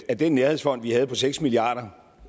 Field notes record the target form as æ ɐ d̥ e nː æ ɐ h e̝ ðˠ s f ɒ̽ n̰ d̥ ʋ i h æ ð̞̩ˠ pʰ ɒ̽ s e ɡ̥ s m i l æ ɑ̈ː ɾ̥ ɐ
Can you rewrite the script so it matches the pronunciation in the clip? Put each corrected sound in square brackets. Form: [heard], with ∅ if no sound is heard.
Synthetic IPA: æ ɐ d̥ e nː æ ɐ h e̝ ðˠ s f ɒ̽ n̰ d̥ ʋ i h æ ð̞̩ˠ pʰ ɒ̽ s e ɡ̥ s m i l [i] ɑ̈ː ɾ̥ ɐ